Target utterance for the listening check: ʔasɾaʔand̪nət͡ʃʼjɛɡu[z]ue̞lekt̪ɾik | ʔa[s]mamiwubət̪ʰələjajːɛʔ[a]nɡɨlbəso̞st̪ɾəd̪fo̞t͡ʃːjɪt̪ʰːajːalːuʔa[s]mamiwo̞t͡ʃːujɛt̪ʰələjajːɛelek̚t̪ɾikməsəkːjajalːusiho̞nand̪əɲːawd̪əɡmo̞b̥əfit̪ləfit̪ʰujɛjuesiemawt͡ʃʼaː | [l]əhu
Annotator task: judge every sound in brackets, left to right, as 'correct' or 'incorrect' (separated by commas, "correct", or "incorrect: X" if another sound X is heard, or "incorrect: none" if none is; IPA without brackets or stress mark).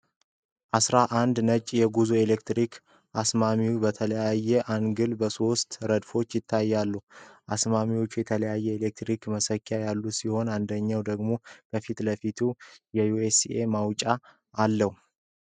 correct, correct, correct, correct, incorrect: lː